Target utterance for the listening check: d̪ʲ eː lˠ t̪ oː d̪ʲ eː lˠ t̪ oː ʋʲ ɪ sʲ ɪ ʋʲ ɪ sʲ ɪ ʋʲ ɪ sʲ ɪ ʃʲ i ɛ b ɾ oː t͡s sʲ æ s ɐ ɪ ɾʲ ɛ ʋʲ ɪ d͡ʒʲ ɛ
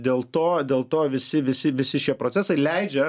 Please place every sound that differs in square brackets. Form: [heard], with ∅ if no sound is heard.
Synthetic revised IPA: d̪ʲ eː lˠ t̪ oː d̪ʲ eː lˠ t̪ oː ʋʲ ɪ sʲ ɪ ʋʲ ɪ sʲ ɪ ʋʲ ɪ sʲ ɪ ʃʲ i ɛ [p] ɾ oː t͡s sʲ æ s ɐ ɪ [lʲ] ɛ [∅] ɪ d͡ʒʲ ɛ